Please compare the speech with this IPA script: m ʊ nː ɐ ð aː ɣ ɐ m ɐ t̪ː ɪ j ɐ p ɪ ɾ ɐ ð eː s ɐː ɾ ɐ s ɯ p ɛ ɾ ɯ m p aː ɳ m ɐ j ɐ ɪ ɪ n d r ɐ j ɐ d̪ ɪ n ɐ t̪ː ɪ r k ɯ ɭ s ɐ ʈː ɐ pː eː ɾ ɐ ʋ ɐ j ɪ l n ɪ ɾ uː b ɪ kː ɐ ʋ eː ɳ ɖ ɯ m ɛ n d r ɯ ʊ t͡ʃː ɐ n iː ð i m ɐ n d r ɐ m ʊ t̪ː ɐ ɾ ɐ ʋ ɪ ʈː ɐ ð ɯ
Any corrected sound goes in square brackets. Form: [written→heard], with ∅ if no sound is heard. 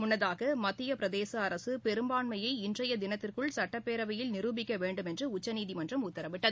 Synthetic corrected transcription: m ʊ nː ɐ ð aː ɣ ɐ m ɐ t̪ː ɪ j ɐ p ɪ ɾ ɐ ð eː s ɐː ɾ ɐ s ɯ p ɛ ɾ ɯ m [p→b] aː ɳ m ɐ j ɐ ɪ ɪ n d r ɐ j ɐ d̪ ɪ n ɐ t̪ː ɪ r k ɯ ɭ s ɐ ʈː ɐ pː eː ɾ ɐ ʋ ɐ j ɪ l n ɪ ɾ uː b ɪ kː ɐ ʋ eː ɳ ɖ ɯ m ɛ n d r ɯ ʊ t͡ʃː ɐ n iː ð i m ɐ n d r ɐ m ʊ t̪ː ɐ ɾ ɐ ʋ ɪ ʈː ɐ ð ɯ

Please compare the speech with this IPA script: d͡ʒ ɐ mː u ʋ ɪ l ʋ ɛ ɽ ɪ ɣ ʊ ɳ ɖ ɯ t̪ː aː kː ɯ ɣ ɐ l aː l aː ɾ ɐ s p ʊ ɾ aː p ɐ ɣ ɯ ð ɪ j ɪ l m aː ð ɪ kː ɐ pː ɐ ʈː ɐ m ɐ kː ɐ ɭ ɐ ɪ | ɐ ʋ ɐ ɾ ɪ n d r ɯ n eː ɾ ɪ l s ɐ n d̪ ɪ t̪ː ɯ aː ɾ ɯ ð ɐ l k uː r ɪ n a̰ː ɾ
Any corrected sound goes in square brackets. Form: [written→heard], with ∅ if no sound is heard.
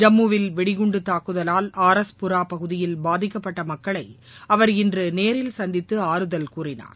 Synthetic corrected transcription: d͡ʒ ɐ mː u ʋ ɪ l ʋ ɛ ɽ ɪ ɣ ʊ ɳ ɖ ɯ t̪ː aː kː ɯ [ɣ→ð] ɐ l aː l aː ɾ ɐ s p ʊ ɾ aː p ɐ ɣ ɯ ð ɪ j ɪ l [m→b] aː ð ɪ kː ɐ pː ɐ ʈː ɐ m ɐ kː ɐ ɭ ɐ ɪ | ɐ ʋ ɐ ɾ ɪ n d r ɯ n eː ɾ ɪ l s ɐ n d̪ ɪ t̪ː ɯ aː ɾ ɯ ð ɐ l k uː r ɪ n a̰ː ɾ

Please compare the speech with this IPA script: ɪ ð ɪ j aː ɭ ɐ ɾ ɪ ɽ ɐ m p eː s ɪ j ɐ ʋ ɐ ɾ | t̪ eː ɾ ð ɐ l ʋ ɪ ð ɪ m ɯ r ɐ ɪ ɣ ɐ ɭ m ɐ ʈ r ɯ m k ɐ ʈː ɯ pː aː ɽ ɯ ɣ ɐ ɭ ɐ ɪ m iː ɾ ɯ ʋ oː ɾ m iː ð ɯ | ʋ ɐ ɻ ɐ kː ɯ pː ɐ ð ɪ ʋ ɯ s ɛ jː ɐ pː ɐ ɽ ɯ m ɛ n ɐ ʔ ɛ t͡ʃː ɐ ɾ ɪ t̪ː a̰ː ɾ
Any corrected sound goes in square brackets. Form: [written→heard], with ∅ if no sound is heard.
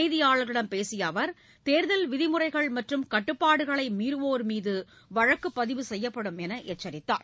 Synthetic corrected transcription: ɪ ð ɪ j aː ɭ ɐ ɾ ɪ ɽ ɐ m p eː s ɪ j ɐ ʋ ɐ ɾ | t̪ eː ɾ ð ɐ l ʋ ɪ ð ɪ m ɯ r ɐ ɪ ɣ ɐ ɭ m ɐ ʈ r ɯ m k ɐ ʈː ɯ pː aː ɽ ɯ ɣ ɐ ɭ ɐ ɪ m iː ɾ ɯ ʋ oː ɾ m iː ð ɯ | ʋ ɐ ɻ ɐ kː ɯ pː ɐ ð ɪ ʋ ɯ s ɛ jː ɐ pː ɐ ɽ ɯ m ɛ n ɐ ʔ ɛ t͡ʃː ɐ ɾ ɪ t̪ː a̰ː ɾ

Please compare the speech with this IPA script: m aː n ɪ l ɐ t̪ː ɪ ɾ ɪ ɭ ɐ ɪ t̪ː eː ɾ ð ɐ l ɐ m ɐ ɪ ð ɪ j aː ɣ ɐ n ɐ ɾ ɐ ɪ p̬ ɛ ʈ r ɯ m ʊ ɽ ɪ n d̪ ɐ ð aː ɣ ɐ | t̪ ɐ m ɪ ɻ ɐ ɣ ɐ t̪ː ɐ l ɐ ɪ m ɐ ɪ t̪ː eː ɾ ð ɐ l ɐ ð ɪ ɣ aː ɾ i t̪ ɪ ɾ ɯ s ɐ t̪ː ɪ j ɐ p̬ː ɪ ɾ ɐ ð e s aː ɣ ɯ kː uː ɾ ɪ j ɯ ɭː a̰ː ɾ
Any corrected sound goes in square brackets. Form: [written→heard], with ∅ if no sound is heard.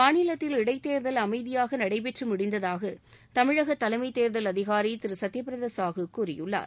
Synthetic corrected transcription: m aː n ɪ l ɐ t̪ː ɪ [ɾ→l] ɪ [ɭ→ɽ] ɐ ɪ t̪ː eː ɾ ð ɐ l ɐ m ɐ ɪ ð ɪ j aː ɣ ɐ n ɐ [ɾ→ɽ] ɐ ɪ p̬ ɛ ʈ r ɯ m ʊ ɽ ɪ n d̪ ɐ ð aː ɣ ɐ | t̪ ɐ m ɪ ɻ ɐ ɣ ɐ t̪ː ɐ l ɐ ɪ m ɐ ɪ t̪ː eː ɾ ð ɐ l ɐ ð ɪ ɣ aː ɾ i t̪ ɪ ɾ ɯ s ɐ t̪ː ɪ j ɐ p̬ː ɪ ɾ ɐ ð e s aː ɣ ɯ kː uː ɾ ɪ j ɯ ɭː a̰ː ɾ

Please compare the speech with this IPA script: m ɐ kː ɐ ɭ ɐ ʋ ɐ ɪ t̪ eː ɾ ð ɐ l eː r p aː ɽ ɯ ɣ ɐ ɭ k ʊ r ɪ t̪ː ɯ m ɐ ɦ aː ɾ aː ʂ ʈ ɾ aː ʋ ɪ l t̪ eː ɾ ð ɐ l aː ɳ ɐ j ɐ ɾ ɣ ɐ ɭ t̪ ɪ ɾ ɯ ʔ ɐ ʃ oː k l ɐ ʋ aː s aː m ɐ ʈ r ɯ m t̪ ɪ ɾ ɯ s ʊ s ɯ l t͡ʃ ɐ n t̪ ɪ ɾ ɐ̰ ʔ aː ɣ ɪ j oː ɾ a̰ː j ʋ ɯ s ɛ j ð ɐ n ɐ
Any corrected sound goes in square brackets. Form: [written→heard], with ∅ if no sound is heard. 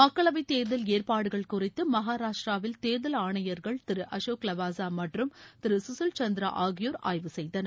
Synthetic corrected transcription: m ɐ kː ɐ ɭ ɐ ʋ ɐ ɪ t̪ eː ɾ ð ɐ l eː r p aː ɽ ɯ ɣ ɐ ɭ k ʊ r ɪ t̪ː ɯ m ɐ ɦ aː ɾ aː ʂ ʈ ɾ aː ʋ ɪ l t̪ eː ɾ ð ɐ l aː ɳ ɐ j ɐ ɾ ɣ ɐ ɭ t̪ ɪ ɾ ɯ ʔ ɐ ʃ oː k l ɐ ʋ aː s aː m ɐ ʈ r ɯ m t̪ ɪ ɾ ɯ s ʊ s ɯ l t͡ʃ ɐ n [t̪→d̪] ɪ ɾ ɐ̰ ʔ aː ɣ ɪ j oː ɾ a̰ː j ʋ ɯ s ɛ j ð ɐ n ɐ

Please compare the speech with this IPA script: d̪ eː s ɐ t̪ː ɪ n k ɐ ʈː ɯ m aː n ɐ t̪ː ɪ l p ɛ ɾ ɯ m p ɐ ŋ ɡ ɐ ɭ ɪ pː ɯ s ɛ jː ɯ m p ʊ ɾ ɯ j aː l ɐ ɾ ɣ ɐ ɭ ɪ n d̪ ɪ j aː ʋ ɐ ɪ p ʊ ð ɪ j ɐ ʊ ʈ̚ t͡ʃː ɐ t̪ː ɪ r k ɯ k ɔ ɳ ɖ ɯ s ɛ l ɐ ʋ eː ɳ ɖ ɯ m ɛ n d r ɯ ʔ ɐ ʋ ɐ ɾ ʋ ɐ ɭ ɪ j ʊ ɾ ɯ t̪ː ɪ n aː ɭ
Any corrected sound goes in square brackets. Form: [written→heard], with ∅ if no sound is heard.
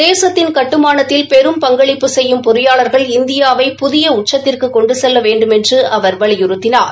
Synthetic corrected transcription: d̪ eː s ɐ t̪ː ɪ n k ɐ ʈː ɯ m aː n ɐ t̪ː ɪ l p ɛ ɾ ɯ m p ɐ ŋ ɡ ɐ ɭ ɪ pː ɯ s ɛ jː ɯ m p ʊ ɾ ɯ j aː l ɐ ɾ ɣ ɐ ɭ ɪ n d̪ ɪ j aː ʋ ɐ ɪ p ʊ ð ɪ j ɐ ʊ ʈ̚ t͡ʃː ɐ t̪ː ɪ r k ɯ k ɔ ɳ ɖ ɯ s ɛ [l→lː] ɐ ʋ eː ɳ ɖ ɯ m ɛ n d r ɯ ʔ ɐ ʋ ɐ ɾ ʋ ɐ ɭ ɪ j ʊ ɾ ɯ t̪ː ɪ n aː [ɭ→ɾ]

